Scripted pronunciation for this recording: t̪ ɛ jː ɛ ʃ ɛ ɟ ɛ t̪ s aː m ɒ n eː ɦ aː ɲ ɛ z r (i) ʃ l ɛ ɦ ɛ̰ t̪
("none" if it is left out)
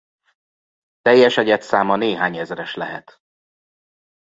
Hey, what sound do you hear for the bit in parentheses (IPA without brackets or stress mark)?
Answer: ɛ